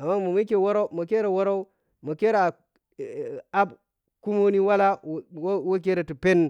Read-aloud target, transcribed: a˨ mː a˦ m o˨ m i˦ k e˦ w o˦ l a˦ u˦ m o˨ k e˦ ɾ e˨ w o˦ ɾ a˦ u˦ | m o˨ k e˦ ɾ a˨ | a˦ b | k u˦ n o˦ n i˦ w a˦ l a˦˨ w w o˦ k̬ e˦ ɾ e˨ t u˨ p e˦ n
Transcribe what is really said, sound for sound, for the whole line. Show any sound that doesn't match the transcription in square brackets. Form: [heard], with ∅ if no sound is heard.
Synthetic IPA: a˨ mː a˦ m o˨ m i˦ k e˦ w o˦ [ɾ] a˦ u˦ m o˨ k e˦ ɾ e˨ w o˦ ɾ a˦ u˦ | m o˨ k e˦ ɾ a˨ | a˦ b | k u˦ [m] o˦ n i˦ w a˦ l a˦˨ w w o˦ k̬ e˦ ɾ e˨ t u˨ p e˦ n